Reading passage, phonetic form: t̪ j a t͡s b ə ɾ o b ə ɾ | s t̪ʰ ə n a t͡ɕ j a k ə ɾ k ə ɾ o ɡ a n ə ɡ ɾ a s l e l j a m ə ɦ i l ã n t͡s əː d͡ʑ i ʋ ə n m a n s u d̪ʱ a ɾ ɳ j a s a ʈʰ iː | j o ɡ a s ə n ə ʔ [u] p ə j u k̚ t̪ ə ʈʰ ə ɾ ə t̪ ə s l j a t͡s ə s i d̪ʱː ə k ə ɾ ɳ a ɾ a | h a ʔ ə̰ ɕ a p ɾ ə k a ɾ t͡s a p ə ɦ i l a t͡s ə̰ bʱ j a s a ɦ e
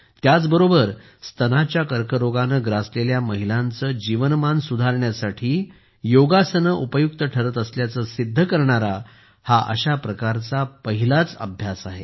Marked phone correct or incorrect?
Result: correct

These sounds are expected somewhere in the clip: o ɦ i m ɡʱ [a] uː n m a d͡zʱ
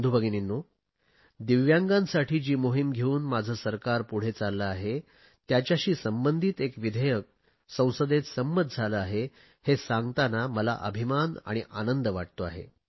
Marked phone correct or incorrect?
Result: incorrect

